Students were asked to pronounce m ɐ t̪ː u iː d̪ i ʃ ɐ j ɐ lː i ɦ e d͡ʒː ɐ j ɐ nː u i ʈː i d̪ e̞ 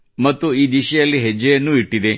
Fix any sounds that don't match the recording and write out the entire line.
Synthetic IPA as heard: m ɐ t̪ː u iː d̪ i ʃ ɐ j ɐ lː i ɦ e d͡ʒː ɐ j ɐ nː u i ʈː i d̪ e̞